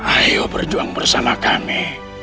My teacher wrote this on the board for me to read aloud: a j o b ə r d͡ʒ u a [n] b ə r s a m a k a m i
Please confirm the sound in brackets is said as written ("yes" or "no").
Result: no